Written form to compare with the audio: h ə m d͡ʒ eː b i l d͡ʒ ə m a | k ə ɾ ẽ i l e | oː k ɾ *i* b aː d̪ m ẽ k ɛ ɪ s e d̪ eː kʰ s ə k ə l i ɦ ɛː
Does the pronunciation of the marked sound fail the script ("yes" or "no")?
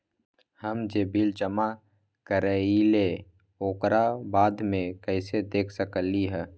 yes